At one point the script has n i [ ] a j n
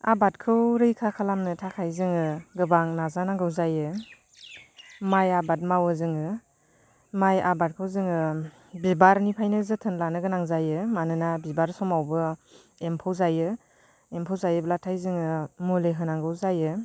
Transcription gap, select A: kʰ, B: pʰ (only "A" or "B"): B